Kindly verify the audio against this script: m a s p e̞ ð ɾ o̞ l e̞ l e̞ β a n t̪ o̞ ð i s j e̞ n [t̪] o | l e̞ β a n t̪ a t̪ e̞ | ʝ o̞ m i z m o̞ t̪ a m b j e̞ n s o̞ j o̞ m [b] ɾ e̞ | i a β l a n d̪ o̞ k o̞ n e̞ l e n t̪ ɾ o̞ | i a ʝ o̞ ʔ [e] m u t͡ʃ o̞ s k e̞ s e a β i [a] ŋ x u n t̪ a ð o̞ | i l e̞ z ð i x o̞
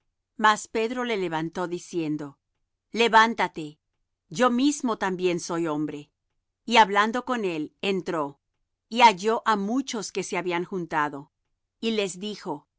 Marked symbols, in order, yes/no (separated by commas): no, yes, no, yes